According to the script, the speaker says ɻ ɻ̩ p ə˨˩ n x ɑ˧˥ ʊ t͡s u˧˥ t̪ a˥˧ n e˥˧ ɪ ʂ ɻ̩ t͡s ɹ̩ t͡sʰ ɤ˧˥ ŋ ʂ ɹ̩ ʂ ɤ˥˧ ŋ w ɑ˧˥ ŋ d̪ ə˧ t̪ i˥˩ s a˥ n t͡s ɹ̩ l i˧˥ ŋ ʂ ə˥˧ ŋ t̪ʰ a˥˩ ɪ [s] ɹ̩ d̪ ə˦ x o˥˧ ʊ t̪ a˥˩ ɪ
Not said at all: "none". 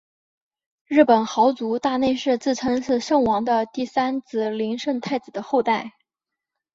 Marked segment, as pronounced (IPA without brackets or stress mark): t͡s